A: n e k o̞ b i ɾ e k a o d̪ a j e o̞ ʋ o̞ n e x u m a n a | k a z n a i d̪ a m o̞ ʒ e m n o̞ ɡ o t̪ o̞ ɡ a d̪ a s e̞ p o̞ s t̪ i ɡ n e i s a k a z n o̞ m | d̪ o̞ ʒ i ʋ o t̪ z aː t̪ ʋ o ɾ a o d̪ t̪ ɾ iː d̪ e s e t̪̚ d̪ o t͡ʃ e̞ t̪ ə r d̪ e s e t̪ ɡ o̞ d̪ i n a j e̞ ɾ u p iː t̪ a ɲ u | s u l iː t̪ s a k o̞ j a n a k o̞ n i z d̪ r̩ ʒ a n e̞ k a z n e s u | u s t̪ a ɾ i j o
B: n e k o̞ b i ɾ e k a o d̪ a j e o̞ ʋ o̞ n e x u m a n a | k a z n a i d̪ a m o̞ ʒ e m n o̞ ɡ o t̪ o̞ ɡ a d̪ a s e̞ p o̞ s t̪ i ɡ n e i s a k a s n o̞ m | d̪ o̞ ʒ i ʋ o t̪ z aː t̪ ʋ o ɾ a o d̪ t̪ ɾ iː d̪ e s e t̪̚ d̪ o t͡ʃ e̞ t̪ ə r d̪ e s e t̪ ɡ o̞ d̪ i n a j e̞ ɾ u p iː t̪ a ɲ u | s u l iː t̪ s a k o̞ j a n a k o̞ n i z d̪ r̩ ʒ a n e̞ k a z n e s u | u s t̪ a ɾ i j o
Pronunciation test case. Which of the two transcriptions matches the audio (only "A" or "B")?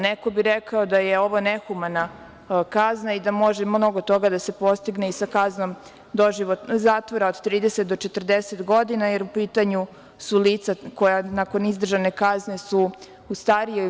A